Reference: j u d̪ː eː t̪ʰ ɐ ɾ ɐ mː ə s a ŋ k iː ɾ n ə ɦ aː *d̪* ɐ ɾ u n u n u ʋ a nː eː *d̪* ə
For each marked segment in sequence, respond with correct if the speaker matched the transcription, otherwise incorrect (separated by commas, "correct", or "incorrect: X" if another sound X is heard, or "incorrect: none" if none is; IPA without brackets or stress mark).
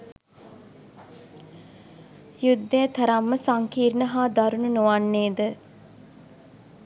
correct, correct